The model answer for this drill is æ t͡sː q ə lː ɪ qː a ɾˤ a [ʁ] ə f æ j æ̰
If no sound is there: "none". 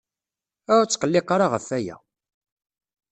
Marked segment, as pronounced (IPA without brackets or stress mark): ʁ